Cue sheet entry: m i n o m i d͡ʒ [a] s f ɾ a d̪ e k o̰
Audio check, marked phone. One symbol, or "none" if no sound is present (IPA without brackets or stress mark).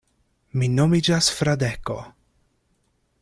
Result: a